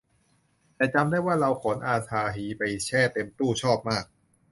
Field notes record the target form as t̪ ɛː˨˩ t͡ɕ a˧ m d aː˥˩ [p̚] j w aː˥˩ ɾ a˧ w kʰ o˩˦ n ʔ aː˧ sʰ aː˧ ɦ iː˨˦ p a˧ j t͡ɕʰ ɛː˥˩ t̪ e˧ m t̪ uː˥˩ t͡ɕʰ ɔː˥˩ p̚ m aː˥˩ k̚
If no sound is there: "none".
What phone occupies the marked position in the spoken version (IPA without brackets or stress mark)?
none